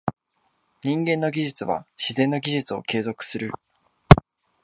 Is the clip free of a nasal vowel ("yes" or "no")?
no